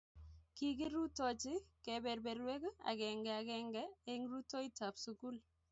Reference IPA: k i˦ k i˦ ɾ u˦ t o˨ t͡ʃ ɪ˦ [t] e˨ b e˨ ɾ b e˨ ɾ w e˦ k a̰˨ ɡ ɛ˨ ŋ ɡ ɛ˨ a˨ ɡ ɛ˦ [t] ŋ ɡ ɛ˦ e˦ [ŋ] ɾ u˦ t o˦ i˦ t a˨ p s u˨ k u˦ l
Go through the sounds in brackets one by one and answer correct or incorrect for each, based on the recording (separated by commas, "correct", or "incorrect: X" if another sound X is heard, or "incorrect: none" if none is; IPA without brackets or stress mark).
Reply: incorrect: k, incorrect: none, correct